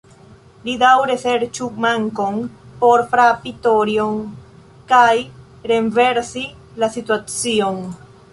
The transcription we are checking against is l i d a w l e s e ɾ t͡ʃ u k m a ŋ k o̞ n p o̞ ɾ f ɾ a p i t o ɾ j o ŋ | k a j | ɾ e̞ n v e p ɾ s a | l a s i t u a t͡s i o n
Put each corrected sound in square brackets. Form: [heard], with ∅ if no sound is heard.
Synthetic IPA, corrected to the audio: l i d a w [ɾ] e s e ɾ t͡ʃ u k m a ŋ k o̞ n p o̞ ɾ f ɾ a p i t o ɾ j o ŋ | k a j | ɾ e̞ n v e [∅] ɾ s [i] | l a s i t u a t͡s i o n

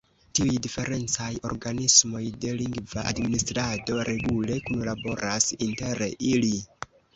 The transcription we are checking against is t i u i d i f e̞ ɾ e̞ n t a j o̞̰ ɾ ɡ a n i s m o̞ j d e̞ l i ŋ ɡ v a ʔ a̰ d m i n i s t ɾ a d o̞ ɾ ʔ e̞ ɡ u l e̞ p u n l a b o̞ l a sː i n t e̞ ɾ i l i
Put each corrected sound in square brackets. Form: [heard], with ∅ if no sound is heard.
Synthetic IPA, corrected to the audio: t i u [j] d i f e̞ ɾ e̞ n [t͡s] a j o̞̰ ɾ ɡ a n i s m o̞ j d e̞ l i ŋ ɡ v a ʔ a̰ d m i n i s t ɾ a d o̞ ɾ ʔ e̞ ɡ u l e̞ [k] u n l a b o̞ [ɾ] a [s] i n t e̞ ɾ i l i

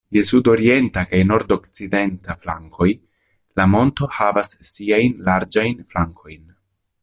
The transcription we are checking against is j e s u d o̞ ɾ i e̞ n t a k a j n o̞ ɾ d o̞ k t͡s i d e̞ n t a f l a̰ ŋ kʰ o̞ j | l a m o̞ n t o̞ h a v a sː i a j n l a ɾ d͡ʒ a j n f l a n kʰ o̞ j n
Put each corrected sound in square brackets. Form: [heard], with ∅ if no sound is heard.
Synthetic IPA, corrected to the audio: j e s u d o̞ ɾ i e̞ n t a k a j n o̞ ɾ d o̞ k t͡s i d e̞ n t a f l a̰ ŋ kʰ o̞ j | l a m o̞ n t o̞ h a v a sː i a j n l a ɾ d͡ʒ a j n f l a [ŋ] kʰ o̞ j n

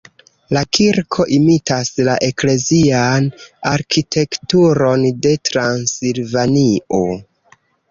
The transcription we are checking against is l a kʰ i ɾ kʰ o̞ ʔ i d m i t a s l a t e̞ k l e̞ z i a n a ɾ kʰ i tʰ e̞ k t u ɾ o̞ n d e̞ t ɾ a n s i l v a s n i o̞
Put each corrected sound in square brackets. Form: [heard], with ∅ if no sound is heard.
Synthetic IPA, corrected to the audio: l a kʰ i ɾ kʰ o̞ ʔ i [∅] m i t a s l a [ʔ] e̞ k l e̞ z i a n a ɾ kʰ i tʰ e̞ k t u ɾ o̞ n d e̞ t ɾ a n s i l v a [∅] n i o̞

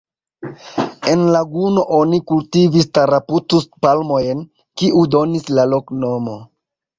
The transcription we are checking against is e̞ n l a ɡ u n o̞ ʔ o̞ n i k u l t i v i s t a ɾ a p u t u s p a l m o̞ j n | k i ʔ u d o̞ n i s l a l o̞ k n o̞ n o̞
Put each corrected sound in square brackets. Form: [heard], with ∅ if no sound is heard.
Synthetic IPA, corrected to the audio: e̞ n l a ɡ u n o̞ ʔ o̞ n i k u l t i v i s t a ɾ a p u t u s p a l m o̞ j n | k i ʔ u d o̞ n i s l a l o̞ k n o̞ [m] o̞

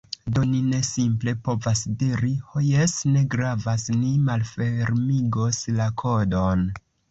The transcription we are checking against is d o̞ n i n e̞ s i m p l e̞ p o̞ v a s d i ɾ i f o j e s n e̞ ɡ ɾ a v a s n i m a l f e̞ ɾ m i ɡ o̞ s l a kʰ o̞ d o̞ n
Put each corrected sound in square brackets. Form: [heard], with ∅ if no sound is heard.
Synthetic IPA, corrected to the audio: d o̞ n i n e̞ s i m p l e̞ p o̞ v a s d i ɾ i [h] o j e s n e̞ ɡ ɾ a v a s n i m a l f e̞ ɾ m i ɡ o̞ s l a kʰ o̞ d o̞ n

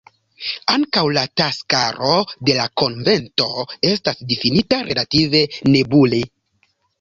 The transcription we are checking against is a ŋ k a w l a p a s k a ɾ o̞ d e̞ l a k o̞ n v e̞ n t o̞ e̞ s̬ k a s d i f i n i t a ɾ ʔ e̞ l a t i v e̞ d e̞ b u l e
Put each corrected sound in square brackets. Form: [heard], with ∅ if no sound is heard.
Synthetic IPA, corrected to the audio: a ŋ k a w l a [t] a s k a ɾ o̞ d e̞ l a k o̞ n v e̞ n t o̞ e̞ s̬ [t] a s d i f i n i t a ɾ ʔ e̞ l a t i v e̞ [n] e̞ b u l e

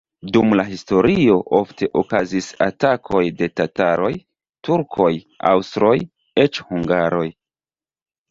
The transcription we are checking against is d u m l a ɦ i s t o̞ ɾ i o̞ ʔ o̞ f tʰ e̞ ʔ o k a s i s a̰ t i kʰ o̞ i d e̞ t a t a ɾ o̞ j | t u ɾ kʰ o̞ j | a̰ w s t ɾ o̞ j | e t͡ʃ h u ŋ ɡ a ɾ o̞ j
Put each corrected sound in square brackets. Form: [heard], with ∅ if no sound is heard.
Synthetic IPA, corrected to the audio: d u m l a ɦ i s t o̞ ɾ i o̞ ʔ o̞ f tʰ e̞ ʔ o k a [z] i s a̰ t [a] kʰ o̞ [j] d e̞ t a t a ɾ o̞ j | t u ɾ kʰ o̞ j | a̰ w s t ɾ o̞ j | e t͡ʃ h u ŋ ɡ a ɾ o̞ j

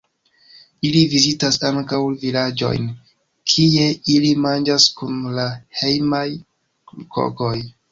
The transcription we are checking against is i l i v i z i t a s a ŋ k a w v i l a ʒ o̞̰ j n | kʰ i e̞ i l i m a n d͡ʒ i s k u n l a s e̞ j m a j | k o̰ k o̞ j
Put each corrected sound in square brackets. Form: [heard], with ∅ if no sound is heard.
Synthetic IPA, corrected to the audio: i l i v i z i t a s a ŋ k a w v i l a [d͡ʒ] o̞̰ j n | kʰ i e̞ i l i m a n d͡ʒ [a] s k u n l a [h] e̞ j m a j | k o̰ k o̞ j

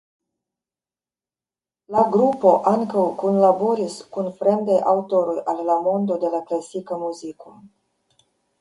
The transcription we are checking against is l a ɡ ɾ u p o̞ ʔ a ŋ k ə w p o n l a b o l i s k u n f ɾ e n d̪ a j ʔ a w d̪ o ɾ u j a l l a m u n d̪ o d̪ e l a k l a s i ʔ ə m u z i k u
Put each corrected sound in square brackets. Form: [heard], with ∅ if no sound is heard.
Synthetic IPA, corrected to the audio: l a ɡ ɾ u p o̞ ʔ a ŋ k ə w [k] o n l a b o [ɾ] i s k u n f ɾ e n d̪ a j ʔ a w [t̪] o ɾ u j a l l a m [o] n d̪ o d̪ e l a k l a s i [k] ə m u z i k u

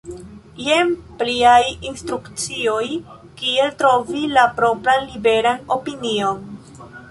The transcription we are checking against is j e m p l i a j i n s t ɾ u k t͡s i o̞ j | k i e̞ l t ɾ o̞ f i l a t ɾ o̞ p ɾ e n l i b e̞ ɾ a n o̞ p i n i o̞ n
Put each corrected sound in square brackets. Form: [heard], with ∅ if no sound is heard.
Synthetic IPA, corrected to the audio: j e m p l i a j i n s t ɾ u k t͡s i o̞ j | k i e̞ l t ɾ o̞ [v] i l a [p] ɾ o̞ p ɾ [a] n l i b e̞ ɾ a n o̞ p i n i o̞ n

